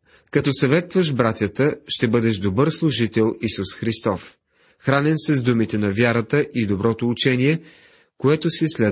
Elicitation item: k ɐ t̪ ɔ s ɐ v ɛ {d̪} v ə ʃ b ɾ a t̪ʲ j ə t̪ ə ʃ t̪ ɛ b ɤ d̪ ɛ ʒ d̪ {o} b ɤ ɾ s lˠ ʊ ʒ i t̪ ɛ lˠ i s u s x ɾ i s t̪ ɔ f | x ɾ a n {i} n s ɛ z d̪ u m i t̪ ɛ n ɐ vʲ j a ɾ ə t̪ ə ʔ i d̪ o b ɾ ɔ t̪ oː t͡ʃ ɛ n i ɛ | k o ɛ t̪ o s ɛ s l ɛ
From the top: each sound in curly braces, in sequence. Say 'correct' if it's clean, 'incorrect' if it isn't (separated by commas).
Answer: incorrect, correct, incorrect